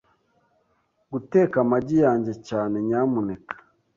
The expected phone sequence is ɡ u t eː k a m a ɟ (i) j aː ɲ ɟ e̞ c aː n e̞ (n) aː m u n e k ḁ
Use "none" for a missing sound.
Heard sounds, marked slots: i, ɲ

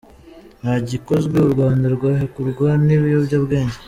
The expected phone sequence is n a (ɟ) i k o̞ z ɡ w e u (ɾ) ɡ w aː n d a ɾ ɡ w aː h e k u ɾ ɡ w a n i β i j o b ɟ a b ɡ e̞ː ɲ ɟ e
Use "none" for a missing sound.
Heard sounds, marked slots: ɟ, ɾ

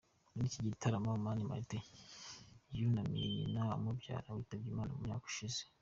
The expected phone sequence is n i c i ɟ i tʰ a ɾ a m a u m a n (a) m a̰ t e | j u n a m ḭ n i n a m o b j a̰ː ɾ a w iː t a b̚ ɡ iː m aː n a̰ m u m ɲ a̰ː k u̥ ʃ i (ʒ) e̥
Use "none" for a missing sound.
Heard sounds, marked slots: i, z

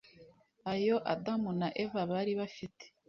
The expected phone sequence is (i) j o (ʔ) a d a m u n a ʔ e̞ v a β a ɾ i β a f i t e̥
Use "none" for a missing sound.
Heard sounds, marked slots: a, ʔ

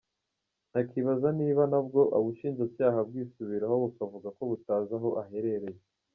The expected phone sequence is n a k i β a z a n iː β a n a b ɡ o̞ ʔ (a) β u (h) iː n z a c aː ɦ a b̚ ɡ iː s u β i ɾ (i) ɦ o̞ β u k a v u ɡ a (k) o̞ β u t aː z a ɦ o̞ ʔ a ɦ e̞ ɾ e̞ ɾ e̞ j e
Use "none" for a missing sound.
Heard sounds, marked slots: a, ʃ, a, k

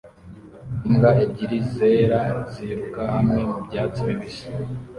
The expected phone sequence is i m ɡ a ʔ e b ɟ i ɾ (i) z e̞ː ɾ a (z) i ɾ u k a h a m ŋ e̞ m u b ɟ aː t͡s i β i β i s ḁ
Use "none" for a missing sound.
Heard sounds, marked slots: i, z

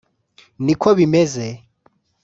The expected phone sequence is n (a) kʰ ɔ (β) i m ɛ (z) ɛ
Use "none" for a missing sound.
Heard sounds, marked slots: i, β, z

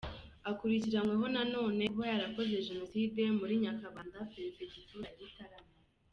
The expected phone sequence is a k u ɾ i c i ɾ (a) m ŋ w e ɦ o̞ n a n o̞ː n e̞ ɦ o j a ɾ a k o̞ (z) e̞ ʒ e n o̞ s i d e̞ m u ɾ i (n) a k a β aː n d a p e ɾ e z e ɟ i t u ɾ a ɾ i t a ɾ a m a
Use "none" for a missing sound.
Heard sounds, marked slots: a, z, ɲ

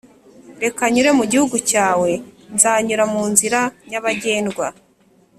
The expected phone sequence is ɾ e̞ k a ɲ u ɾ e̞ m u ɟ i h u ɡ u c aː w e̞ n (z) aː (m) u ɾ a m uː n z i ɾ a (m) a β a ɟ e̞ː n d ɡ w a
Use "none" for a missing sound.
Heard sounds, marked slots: z, ɲ, ɲ

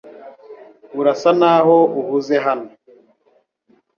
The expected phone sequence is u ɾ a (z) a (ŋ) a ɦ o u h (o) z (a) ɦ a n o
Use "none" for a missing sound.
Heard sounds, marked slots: s, n, u, e

